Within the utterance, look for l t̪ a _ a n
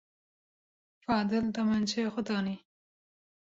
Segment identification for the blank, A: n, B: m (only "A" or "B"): B